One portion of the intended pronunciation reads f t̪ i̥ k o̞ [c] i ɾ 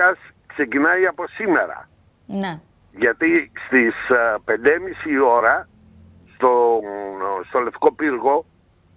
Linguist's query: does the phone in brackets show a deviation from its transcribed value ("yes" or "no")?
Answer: yes